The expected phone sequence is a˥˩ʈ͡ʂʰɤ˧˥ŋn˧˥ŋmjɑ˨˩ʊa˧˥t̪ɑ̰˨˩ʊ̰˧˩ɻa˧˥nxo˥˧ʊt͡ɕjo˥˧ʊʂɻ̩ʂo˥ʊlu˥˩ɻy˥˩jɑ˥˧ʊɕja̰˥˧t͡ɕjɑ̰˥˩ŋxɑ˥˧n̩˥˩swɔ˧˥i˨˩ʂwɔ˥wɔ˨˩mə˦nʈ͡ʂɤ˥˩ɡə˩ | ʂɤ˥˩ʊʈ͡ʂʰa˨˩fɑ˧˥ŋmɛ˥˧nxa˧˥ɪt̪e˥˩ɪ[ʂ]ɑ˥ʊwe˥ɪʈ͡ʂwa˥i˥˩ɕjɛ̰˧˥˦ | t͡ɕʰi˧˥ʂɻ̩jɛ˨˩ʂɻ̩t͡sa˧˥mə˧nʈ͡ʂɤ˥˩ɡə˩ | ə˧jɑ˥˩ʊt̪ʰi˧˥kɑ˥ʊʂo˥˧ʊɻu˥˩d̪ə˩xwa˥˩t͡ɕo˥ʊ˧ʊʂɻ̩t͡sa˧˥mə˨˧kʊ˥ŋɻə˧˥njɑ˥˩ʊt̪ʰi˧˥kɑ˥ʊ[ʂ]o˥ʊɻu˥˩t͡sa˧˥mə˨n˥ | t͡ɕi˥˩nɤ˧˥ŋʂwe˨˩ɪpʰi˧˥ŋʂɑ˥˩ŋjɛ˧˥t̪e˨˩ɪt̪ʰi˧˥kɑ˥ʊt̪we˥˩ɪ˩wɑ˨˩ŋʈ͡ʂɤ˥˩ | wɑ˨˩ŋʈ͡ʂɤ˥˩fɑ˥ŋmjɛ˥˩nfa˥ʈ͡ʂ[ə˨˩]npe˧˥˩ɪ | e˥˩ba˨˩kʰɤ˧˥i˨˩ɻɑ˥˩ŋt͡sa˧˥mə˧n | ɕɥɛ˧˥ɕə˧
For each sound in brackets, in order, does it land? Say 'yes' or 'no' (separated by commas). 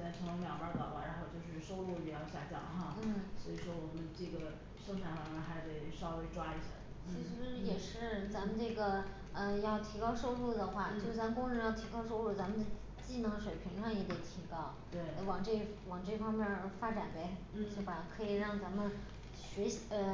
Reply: yes, yes, no